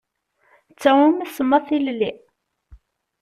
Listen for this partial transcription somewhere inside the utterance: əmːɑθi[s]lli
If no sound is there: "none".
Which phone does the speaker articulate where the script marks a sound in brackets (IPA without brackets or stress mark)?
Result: none